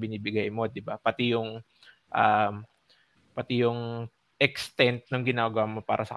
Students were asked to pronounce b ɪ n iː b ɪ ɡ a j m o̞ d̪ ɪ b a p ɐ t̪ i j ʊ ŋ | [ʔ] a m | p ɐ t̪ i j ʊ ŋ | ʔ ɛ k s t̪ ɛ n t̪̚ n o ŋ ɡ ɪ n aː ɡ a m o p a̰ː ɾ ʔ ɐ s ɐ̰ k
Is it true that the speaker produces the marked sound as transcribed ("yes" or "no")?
yes